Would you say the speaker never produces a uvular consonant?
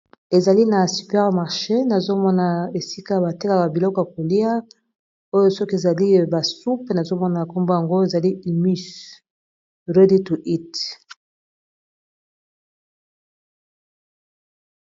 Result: no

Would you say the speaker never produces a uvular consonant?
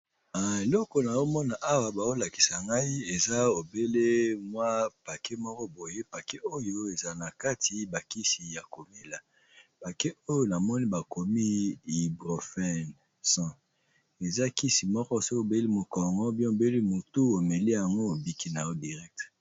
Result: no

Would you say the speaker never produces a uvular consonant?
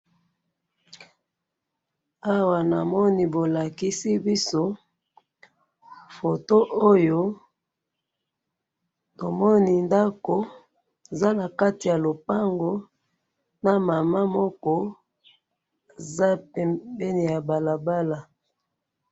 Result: yes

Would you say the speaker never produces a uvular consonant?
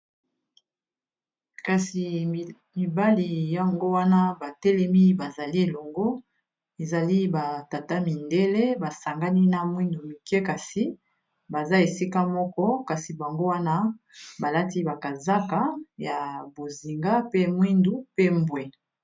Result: yes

